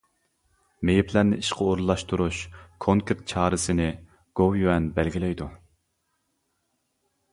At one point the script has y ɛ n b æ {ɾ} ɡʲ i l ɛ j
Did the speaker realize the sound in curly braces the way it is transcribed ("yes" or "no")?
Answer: no